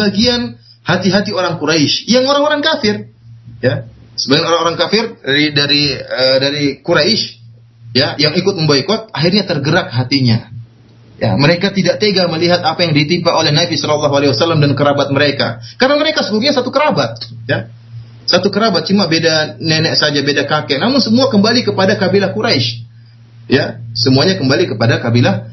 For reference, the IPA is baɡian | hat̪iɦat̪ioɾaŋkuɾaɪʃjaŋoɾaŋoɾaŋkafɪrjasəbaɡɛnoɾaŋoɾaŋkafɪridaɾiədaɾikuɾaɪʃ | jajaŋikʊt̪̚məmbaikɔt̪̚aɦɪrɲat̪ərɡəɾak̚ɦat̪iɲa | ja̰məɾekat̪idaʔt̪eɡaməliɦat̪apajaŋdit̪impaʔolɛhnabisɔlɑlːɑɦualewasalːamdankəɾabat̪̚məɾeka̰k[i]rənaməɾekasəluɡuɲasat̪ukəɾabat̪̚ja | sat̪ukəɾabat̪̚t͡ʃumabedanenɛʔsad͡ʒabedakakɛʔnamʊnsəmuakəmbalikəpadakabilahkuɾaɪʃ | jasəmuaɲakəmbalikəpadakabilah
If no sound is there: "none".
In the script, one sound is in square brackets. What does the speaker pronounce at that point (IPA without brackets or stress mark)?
a